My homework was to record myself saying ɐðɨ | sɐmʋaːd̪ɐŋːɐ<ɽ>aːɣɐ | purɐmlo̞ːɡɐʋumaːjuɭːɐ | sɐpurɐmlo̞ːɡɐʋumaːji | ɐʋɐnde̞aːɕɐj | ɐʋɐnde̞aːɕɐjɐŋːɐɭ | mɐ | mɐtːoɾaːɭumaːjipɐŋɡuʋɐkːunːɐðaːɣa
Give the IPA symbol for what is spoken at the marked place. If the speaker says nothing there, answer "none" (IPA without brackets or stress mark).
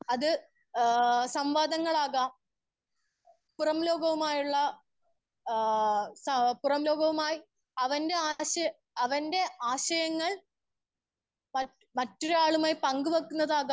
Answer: ɭ